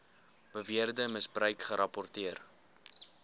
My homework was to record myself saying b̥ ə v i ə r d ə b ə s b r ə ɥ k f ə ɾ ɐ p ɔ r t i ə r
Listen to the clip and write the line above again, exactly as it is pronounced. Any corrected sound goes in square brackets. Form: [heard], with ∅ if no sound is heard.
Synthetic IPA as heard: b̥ ə v i ə r d ə [m] ə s b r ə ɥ k [χ] ə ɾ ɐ p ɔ r t i ə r